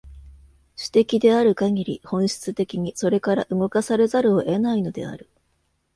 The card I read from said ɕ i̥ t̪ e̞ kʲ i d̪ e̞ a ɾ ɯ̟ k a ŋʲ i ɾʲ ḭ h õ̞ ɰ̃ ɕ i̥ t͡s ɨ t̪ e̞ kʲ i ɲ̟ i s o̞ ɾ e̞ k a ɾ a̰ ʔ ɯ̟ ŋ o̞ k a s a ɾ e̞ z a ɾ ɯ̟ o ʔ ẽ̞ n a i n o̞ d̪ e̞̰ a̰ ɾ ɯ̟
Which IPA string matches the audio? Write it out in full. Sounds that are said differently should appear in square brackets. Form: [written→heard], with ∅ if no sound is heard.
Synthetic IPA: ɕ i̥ t̪ e̞ kʲ i d̪ e̞ a ɾ ɯ̟ k a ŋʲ i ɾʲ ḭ h õ̞ ɰ̃ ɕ i̥ t͡s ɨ t̪ e̞ kʲ i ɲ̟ i s o̞ ɾ e̞ k a ɾ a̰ ʔ ɯ̟ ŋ o̞ k a s a ɾ e̞ z a ɾ ɯ̟ o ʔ [ẽ̞→e̞] n a i n o̞ d̪ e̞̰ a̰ ɾ ɯ̟